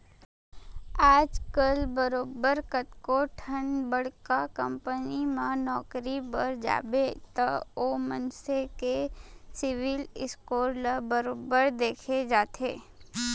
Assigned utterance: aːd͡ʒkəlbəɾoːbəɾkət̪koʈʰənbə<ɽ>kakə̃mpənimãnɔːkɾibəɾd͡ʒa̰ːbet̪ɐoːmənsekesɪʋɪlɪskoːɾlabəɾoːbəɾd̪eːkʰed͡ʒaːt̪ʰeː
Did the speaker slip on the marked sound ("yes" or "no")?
no